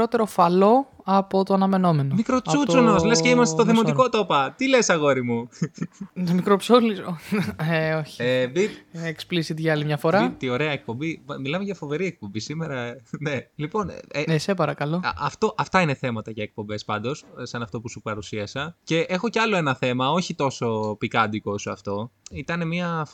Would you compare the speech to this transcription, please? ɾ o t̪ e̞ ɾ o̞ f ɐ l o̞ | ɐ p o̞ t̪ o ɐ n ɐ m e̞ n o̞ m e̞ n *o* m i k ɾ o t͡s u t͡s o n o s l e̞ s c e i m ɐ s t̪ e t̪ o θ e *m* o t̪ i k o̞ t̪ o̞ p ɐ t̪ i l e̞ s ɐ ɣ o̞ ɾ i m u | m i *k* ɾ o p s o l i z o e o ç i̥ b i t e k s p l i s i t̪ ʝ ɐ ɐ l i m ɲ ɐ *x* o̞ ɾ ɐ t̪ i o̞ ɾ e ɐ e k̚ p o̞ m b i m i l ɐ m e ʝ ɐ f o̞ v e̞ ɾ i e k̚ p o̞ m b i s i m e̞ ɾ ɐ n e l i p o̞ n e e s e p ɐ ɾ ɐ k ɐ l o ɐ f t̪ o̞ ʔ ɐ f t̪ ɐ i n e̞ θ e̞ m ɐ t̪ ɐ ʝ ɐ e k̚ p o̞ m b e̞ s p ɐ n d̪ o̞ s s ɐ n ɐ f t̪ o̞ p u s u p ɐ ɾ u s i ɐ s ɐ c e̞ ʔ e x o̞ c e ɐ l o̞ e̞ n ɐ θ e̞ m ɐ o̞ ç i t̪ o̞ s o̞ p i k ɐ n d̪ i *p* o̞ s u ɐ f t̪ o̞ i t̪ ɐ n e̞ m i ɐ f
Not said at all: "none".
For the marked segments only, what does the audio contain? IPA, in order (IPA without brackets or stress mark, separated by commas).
o, m, k, f, k